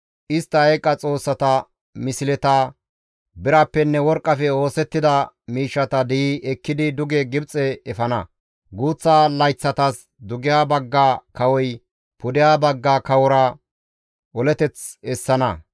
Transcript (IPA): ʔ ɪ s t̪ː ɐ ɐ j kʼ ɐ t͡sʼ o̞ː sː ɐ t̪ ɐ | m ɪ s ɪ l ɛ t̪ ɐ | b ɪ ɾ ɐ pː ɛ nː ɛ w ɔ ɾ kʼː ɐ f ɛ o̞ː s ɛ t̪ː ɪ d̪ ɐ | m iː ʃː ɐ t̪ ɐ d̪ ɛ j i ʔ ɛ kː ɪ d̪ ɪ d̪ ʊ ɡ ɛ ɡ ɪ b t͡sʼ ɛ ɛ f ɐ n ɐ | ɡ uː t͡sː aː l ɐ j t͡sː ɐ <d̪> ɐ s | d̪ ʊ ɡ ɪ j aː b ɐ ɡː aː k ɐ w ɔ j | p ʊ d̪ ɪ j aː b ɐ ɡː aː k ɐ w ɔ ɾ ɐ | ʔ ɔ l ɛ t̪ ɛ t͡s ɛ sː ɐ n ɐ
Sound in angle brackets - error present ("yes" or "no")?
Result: yes